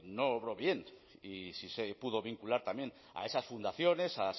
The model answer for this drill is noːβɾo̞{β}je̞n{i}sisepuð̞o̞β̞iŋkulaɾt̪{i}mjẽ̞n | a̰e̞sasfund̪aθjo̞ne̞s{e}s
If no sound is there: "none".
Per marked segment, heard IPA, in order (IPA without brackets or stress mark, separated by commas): β, i, a, a